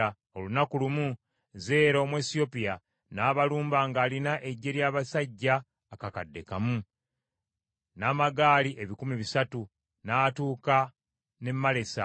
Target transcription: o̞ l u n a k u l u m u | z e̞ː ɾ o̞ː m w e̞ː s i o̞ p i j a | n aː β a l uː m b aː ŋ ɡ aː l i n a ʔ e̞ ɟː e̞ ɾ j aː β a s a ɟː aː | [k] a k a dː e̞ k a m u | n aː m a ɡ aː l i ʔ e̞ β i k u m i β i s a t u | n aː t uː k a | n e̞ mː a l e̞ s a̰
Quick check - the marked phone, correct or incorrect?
correct